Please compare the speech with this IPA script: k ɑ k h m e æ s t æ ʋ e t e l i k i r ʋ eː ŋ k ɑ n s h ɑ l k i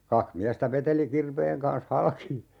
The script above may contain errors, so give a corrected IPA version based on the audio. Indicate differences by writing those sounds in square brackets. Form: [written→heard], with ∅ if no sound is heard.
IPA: k ɑ k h m [e→i] æ s t æ ʋ e t e l i k i r ʋ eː ŋ k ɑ n s h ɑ l k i

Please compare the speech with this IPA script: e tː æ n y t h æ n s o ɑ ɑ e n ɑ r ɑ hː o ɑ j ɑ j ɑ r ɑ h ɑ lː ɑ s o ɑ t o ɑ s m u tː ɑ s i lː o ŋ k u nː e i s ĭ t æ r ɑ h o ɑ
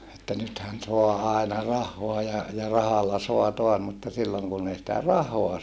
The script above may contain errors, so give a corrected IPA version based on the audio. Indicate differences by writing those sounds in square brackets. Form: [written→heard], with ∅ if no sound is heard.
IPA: e tː æ n y t h æ n s o ɑ ɑ e n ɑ r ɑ hː o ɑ j ɑ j ɑ r ɑ h ɑ lː ɑ s o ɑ t o ɑ s m u tː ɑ s i lː o ŋ k u nː e i s ĭ t æ r ɑ h o ɑ

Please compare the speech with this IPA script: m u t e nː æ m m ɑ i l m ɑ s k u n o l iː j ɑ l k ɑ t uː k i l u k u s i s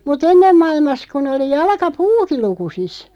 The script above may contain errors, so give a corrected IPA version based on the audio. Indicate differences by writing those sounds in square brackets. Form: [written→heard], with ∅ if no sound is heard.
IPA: m u t e nː [æ→e] m m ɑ i l m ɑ s k u n o l [iː→i] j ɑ l k ɑ [t→p] uː k i l u k u s i s

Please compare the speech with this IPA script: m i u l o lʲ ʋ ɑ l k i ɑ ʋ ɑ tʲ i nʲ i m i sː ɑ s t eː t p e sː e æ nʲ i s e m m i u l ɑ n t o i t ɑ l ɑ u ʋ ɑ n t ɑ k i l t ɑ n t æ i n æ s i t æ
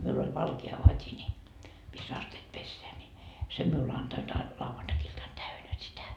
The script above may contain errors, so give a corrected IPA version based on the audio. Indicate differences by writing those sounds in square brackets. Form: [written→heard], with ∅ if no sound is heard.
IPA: m i u l o lʲ ʋ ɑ l k [i→e] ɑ ʋ ɑ tʲ i nʲ i m i sː ɑ s t eː t p e sː e æ nʲ i s e m m i u l ɑ n t o i t ɑ l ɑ u ʋ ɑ n t ɑ k i l t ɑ n t æ [i→y] n æ s i t æ

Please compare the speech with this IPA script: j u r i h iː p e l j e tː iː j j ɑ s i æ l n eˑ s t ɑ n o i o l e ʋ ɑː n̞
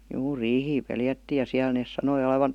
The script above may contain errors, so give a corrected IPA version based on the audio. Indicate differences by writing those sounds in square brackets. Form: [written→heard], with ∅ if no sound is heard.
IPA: j [u→uː] r [i→iː] h iː p e l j [e→æ] tː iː j j ɑ s i æ l n eˑ s [t→s] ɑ n o i o l e ʋ [ɑː→ɑ] n̞

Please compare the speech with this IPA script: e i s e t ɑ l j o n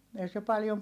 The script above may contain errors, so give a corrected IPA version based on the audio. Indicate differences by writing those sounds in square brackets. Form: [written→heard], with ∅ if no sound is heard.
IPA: e i s e [t→p] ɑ l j o [n→m]

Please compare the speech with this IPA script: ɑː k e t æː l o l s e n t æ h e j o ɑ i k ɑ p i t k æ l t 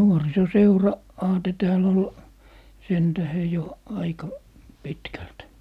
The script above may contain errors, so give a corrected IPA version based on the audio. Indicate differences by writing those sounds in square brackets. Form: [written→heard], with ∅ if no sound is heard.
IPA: ɑː [k→t] e t æː l o l s e n t æ h e j o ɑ i k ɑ p i t k æ l t

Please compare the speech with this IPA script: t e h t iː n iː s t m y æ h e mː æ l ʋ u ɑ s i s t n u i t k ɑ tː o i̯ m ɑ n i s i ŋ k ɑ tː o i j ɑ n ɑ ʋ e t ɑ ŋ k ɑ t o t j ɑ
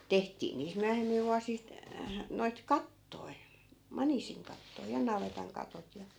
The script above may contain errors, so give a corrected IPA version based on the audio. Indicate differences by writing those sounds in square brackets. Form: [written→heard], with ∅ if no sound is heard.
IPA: t e h t iː n iː s t m y æ h e mː [æ→i] l ʋ u ɑ s i s t n [u→o] i t k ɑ tː o i̯ m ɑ n i s i ŋ k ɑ tː o i j ɑ n ɑ ʋ e t ɑ ŋ k ɑ t o t j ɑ

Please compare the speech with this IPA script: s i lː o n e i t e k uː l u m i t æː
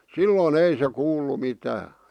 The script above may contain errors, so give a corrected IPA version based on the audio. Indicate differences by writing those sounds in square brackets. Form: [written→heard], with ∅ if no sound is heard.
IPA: s i lː [o→oː] n e i [t→s] e k uː [l→lː] u m i t æː

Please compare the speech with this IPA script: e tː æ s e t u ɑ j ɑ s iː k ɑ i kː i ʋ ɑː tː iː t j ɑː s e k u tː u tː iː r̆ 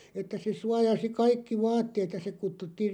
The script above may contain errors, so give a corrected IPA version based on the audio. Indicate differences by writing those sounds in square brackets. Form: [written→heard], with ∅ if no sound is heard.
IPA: e tː æ s e [t→s] u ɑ j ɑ s [iː→i] k ɑ i kː i ʋ ɑː tː [iː→eː] t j [ɑː→ɑ] s e k u tː u tː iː r̆

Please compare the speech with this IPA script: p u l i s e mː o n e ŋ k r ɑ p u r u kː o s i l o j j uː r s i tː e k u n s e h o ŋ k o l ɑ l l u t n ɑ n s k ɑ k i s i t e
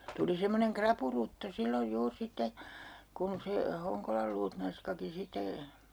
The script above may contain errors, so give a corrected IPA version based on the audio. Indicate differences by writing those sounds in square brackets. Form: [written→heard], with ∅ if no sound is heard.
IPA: [p→t] u l i s e mː o n e ŋ k r ɑ p u r u [kː→tː] o s i [l→lː] o j j uː r s i tː e k u n s e h o ŋ k o l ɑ l l [u→uː] t n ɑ n s k ɑ k i s i t e

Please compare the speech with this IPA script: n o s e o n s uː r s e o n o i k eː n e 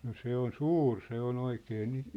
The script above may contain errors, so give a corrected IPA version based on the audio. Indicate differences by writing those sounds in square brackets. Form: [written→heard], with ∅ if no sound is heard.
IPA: n o s e o n s uː r s e o n o i k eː n [e→i]

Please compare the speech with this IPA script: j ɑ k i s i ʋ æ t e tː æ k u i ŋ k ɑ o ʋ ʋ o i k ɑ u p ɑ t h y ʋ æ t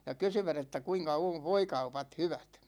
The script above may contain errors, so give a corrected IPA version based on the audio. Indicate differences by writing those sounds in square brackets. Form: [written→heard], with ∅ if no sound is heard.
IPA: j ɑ k [i→y] s [i→y] ʋ æ t e tː æ k u i ŋ k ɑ o ʋ ʋ o i k ɑ u p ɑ t h y ʋ æ t

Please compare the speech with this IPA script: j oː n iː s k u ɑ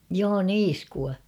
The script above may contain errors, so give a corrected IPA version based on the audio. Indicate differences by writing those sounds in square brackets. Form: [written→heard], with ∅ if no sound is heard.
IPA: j oː n iː s k u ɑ

